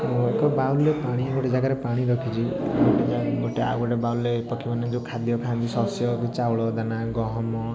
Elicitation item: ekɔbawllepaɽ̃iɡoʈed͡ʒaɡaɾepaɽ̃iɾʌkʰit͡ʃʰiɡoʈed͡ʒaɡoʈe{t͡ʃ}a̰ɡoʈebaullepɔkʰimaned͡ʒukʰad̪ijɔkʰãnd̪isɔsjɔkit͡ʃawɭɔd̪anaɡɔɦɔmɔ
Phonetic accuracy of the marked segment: incorrect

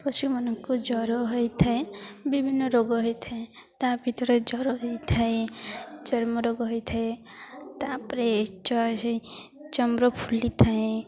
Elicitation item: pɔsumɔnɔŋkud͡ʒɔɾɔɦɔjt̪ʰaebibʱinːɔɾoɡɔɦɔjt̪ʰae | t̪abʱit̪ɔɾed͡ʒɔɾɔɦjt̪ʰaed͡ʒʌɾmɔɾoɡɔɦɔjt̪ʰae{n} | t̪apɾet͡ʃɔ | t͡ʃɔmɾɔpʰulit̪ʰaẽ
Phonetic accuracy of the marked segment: incorrect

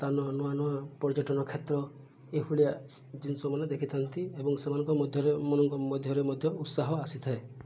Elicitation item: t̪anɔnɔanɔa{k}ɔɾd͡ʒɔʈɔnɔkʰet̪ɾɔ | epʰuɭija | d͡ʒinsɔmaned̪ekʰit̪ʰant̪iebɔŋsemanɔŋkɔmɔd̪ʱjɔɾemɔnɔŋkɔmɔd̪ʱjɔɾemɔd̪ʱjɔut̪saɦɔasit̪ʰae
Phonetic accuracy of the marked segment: incorrect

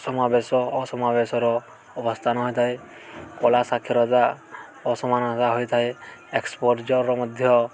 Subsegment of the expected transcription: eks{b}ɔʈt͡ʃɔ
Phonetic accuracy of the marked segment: incorrect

